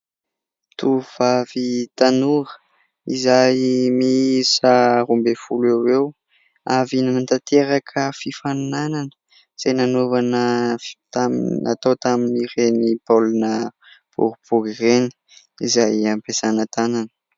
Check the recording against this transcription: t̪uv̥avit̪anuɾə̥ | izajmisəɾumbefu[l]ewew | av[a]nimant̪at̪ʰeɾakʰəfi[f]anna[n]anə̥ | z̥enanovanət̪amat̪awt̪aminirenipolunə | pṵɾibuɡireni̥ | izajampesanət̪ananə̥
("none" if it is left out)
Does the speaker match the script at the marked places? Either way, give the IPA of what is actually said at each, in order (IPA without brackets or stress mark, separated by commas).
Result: l, i, f, n